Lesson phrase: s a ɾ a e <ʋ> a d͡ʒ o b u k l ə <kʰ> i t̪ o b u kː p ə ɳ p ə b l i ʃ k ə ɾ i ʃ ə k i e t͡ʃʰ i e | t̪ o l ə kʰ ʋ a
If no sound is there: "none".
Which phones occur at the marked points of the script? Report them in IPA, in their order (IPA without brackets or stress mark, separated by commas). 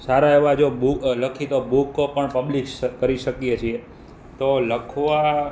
ʋ, kʰ